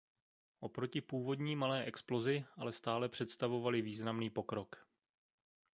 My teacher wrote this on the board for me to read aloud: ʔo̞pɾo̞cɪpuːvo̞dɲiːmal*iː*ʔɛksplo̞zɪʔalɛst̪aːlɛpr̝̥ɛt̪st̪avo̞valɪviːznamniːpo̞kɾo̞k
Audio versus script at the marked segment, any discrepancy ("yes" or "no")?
yes